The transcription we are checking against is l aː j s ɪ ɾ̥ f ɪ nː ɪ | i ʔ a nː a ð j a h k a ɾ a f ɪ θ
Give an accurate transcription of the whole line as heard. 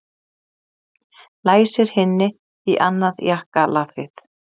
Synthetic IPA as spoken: l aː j s ɪ ɾ̥ h ɪ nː ɪ | i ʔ a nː a ð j a h k a l a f ɪ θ